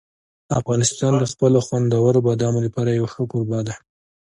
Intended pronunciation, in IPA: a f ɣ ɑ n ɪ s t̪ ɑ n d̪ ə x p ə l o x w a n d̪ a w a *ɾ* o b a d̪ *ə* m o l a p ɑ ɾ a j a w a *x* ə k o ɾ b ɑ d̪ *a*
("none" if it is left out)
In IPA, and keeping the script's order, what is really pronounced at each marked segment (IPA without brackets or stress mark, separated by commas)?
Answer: ɾ, ɑ, x, a